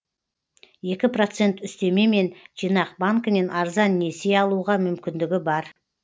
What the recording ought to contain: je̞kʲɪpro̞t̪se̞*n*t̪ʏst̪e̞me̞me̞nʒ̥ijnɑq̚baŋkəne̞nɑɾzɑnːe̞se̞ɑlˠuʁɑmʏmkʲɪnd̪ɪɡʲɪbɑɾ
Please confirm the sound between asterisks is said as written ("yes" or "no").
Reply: yes